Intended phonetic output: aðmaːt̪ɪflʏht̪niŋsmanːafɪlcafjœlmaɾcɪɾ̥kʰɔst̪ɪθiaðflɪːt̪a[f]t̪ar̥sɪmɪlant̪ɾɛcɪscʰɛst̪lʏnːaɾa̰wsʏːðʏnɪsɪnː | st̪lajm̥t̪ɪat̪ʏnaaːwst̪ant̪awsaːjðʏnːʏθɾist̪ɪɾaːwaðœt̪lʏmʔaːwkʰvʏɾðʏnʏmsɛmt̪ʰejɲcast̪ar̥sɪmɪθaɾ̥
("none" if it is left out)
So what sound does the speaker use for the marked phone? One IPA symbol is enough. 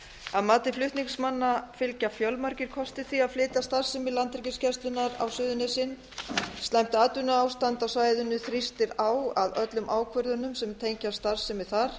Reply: s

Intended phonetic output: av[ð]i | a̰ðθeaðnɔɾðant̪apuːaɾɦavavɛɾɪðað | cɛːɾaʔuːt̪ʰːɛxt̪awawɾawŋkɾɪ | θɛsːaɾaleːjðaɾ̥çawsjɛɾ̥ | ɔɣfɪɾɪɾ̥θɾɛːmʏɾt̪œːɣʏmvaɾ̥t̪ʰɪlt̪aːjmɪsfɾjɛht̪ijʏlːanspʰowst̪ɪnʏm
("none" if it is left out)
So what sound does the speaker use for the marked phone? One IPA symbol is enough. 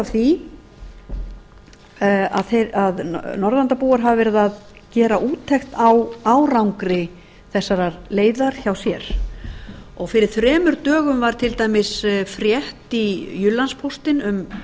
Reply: θ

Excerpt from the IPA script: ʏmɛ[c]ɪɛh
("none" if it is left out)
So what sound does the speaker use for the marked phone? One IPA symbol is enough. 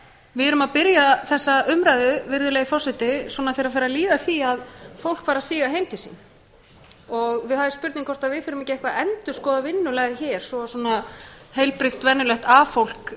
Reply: c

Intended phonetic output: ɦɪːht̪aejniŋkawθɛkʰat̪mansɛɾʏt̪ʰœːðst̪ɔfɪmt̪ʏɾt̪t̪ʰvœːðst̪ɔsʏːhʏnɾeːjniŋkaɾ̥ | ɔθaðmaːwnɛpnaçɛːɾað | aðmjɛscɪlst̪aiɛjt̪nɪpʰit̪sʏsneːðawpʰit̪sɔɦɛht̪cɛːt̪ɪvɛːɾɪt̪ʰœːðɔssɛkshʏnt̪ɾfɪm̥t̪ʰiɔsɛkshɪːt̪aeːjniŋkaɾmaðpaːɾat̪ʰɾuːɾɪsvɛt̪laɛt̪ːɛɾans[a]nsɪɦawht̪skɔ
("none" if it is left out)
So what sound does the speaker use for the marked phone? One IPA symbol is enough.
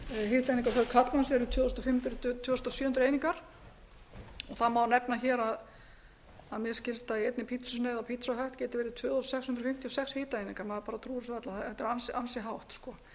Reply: a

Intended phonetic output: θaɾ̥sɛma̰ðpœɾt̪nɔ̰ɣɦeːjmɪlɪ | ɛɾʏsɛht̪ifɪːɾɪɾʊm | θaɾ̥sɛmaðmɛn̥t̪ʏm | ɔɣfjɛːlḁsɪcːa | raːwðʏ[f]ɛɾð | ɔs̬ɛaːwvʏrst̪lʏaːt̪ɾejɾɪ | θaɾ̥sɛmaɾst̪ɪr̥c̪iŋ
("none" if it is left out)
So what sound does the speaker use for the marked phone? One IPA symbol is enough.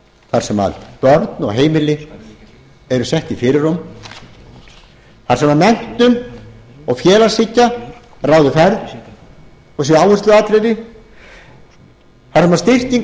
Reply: f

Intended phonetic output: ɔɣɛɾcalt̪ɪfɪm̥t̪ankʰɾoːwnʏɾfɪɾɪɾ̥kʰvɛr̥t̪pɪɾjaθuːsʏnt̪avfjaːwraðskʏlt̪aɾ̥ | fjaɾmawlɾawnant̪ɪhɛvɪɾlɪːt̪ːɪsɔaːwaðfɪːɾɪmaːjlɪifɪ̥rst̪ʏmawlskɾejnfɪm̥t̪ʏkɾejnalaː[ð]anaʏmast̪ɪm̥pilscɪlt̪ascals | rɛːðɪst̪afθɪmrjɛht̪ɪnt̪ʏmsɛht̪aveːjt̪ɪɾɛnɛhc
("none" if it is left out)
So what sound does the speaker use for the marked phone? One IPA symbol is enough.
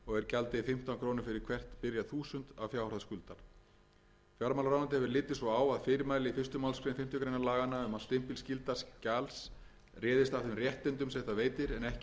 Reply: ɣ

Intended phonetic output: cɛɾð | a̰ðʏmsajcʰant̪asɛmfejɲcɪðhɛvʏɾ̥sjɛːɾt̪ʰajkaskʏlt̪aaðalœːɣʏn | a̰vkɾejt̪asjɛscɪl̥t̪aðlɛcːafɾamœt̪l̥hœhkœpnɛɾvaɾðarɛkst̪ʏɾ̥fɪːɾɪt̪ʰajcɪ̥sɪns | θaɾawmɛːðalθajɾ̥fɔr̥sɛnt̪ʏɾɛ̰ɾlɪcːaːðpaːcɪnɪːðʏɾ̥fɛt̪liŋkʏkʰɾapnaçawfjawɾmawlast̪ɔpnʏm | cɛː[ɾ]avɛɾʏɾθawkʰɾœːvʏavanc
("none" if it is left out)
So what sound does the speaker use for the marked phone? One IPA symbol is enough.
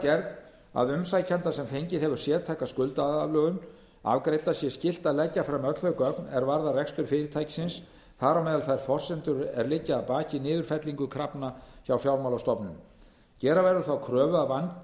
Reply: ɾ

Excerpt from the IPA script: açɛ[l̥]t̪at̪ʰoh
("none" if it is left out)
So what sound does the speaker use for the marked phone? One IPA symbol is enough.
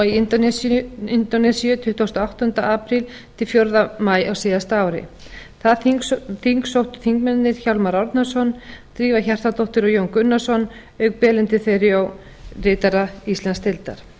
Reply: r̥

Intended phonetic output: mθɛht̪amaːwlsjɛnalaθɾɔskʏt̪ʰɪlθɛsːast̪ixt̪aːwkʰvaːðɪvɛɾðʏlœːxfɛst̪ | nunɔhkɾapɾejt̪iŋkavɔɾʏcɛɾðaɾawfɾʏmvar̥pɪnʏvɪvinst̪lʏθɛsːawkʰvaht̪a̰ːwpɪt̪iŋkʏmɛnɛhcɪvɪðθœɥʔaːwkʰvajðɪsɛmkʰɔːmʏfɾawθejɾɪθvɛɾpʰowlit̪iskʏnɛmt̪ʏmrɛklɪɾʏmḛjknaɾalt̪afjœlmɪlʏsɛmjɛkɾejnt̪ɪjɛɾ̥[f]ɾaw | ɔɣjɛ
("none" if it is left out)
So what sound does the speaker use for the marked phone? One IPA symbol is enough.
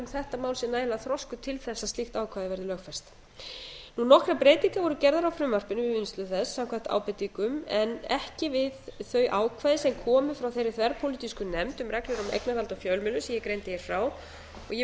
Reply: f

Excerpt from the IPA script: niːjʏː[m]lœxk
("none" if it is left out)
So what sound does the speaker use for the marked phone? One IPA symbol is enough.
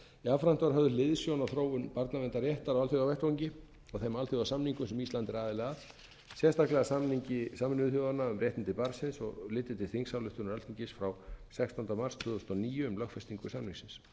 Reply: m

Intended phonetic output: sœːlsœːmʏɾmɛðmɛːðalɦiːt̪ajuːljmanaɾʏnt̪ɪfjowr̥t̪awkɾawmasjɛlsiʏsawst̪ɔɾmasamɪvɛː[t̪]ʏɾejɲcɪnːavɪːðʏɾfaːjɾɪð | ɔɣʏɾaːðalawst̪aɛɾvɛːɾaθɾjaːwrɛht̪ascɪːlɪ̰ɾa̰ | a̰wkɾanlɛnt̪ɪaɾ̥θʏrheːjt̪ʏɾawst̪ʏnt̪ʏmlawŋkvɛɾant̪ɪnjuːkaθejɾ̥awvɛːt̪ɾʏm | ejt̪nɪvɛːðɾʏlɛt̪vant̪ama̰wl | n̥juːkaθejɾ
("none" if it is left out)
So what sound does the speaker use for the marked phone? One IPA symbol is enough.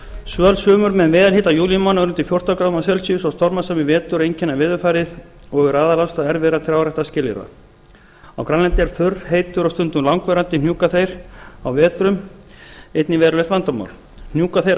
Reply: t̪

